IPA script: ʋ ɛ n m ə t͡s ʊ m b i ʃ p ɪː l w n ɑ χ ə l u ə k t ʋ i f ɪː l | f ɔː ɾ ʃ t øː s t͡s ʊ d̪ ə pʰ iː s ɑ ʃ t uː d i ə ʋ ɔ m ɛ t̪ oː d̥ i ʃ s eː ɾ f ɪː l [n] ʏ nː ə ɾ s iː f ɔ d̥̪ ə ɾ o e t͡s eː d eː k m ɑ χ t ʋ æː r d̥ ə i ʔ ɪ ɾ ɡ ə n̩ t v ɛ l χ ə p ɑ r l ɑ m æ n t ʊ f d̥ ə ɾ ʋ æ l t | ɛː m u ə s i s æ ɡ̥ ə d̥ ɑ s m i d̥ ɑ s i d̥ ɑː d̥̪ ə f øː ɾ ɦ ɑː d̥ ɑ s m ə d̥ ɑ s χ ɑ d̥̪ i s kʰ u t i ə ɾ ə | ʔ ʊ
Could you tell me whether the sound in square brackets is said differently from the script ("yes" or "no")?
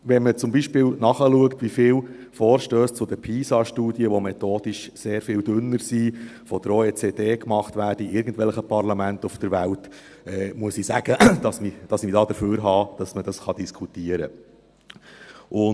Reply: yes